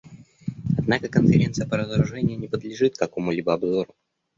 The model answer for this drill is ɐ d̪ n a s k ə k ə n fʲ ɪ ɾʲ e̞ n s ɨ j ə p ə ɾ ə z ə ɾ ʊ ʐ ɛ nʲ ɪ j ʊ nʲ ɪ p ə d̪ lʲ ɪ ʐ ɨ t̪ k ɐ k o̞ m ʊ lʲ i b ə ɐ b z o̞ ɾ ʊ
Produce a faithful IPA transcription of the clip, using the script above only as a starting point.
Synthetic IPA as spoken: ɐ d̪ n a k ə k ə n fʲ ɪ ɾʲ e̞ n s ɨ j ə p ə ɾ ə z ə ɾ ʊ ʐ ɛ nʲ ɪ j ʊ nʲ ɪ p ə d̪ lʲ ɪ ʐ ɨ t̪ k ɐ k o̞ m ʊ lʲ i b ə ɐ b z o̞ ɾ ʊ